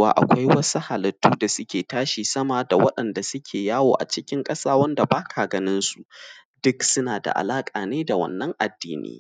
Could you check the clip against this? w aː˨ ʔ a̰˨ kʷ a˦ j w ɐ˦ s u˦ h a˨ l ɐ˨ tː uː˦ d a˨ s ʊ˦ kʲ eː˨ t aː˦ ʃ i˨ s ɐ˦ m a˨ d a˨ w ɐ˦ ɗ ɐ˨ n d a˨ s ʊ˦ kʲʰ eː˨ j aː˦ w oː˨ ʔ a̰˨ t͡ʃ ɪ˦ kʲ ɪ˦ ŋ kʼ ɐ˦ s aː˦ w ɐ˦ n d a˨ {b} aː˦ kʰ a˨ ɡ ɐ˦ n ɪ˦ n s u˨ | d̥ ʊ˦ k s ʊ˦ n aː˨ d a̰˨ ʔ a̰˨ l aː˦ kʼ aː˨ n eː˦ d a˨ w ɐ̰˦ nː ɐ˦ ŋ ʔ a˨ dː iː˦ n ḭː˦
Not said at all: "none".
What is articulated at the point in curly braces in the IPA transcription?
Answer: b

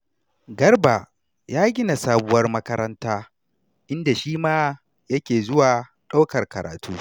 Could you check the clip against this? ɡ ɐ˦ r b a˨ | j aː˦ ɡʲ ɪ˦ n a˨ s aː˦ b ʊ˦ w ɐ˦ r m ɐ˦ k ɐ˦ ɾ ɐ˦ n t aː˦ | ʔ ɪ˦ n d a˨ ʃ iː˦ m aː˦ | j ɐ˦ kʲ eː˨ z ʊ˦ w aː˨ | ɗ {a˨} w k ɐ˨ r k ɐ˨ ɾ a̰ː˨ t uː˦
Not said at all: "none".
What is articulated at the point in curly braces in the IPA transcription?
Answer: a˦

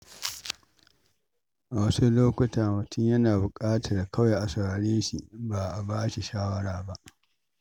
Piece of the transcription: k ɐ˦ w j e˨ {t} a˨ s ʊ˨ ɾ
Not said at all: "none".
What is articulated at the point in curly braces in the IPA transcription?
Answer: ʔ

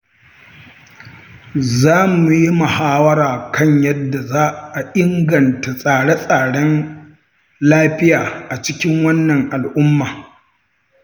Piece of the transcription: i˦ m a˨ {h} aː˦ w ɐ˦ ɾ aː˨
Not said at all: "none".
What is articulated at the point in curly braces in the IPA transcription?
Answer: h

